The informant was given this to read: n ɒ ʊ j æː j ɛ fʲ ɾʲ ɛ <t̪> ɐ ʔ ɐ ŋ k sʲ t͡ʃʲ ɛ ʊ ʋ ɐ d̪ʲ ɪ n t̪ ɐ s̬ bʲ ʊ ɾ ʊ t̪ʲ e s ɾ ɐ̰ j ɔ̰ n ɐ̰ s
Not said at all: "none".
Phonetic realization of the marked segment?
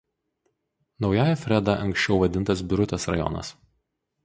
d̪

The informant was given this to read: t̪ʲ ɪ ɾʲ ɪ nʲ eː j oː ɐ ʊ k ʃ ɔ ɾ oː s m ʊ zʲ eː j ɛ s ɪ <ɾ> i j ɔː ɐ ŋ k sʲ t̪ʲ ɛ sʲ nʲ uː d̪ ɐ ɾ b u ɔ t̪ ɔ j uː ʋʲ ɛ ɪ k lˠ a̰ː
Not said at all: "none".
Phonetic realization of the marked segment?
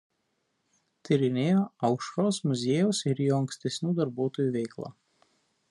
ɾ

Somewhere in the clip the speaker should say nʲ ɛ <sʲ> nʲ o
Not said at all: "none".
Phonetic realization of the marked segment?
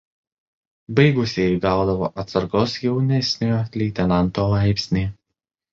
sʲ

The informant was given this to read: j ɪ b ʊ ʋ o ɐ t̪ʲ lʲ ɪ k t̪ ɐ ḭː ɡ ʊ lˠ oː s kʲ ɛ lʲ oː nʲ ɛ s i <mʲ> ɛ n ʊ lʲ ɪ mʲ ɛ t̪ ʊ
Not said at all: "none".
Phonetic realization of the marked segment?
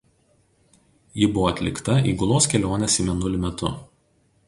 mʲ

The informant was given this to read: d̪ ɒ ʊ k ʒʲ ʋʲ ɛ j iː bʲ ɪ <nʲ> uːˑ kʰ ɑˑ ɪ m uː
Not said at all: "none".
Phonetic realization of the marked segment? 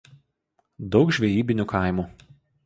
nʲ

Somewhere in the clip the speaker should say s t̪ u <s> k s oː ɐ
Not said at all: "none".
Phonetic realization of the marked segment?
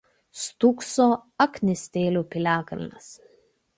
none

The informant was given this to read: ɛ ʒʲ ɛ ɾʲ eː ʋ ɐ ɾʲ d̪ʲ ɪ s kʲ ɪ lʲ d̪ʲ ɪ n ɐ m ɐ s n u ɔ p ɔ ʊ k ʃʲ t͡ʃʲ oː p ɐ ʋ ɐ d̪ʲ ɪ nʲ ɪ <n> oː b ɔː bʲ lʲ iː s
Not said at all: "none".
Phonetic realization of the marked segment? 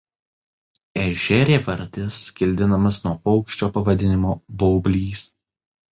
m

